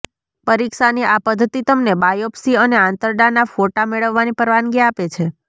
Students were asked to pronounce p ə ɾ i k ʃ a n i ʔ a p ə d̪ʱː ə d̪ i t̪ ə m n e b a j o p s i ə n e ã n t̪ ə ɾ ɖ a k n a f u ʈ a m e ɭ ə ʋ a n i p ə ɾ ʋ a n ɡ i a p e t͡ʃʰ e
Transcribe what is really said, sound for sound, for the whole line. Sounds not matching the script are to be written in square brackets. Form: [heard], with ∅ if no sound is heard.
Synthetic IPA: p ə ɾ i k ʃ a n i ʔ a p ə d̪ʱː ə [t̪] i t̪ ə m n e b a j o p s i ə n e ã n t̪ ə ɾ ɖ a [∅] n a f [o] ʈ a m e ɭ ə [ʋː] a n i p ə ɾ ʋ a n ɡ i a p e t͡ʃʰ e